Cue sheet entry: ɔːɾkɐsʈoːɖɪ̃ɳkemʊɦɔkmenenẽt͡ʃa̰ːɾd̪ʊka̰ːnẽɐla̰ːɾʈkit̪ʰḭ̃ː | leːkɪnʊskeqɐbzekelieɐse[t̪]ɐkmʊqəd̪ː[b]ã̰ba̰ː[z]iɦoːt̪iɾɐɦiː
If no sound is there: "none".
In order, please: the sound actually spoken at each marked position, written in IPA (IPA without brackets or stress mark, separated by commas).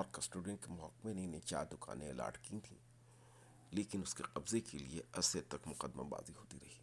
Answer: t̪, m, z